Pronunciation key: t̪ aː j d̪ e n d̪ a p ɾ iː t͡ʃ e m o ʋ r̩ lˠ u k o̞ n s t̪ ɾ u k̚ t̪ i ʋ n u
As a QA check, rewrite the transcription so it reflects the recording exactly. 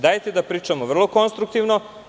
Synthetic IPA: d̪ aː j t̪ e d̪ a p ɾ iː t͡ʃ a m o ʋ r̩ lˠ o k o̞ n s t̪ ɾ u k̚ t̪ i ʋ n o